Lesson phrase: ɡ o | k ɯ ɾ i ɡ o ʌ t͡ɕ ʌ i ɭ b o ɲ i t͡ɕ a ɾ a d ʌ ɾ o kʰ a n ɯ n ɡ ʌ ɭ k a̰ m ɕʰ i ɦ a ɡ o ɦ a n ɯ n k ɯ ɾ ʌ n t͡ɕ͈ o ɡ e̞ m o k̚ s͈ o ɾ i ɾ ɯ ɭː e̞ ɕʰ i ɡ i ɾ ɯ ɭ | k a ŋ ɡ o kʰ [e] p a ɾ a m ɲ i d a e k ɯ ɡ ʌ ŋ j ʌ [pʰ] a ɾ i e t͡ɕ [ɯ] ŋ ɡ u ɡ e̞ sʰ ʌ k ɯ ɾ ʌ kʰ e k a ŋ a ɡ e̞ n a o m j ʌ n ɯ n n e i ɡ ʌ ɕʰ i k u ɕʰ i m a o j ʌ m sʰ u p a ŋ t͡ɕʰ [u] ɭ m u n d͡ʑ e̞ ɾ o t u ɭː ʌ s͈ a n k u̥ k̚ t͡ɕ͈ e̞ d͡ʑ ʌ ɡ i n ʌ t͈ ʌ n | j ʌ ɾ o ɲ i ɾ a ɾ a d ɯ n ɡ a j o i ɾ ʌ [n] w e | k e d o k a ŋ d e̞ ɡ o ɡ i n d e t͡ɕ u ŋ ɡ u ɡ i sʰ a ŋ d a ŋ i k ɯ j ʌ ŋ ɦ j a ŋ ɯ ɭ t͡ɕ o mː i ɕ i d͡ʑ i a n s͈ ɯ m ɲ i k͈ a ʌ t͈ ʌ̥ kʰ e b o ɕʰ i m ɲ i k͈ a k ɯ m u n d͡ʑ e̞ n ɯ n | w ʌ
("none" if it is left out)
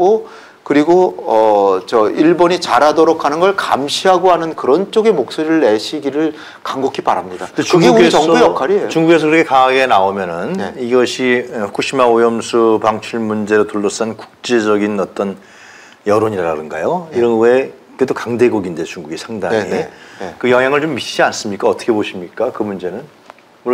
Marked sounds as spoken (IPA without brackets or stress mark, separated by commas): i, kʰ, u, u, n